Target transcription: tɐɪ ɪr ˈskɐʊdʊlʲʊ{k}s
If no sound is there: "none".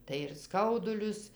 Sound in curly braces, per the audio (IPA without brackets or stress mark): none